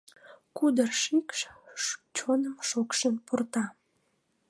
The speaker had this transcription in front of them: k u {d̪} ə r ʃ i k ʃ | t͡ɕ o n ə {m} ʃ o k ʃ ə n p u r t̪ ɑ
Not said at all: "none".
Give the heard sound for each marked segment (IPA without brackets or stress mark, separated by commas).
d̪, m